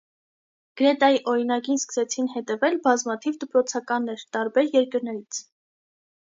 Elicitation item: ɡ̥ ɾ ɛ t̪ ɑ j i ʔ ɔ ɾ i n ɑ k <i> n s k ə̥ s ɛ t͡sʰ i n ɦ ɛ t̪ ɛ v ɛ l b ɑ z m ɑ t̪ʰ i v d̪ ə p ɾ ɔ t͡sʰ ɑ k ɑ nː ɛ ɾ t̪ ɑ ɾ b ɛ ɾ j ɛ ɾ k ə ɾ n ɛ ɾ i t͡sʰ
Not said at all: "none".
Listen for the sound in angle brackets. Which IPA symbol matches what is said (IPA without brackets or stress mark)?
i